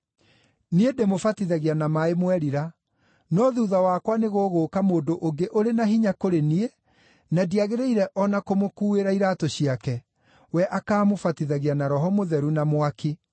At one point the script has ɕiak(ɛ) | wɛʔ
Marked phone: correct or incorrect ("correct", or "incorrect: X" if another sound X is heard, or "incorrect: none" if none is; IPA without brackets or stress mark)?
correct